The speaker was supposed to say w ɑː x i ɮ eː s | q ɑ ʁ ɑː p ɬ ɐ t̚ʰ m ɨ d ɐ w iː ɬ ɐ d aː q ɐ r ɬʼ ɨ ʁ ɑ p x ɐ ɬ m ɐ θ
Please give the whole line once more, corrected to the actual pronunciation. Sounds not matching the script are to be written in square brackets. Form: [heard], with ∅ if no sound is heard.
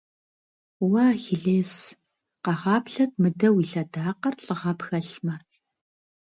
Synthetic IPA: w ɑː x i ɮ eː s | q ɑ ʁ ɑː p ɬ ɐ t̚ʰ m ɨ d ɐ w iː ɬ ɐ d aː q ɐ r ɬʼ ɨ ʁ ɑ p x ɐ ɬ m ɐ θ